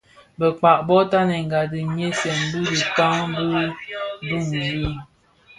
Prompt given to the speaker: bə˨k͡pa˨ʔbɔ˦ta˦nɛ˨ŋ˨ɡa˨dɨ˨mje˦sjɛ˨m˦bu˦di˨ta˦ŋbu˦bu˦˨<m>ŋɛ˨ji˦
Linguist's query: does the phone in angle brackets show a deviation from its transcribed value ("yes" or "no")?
yes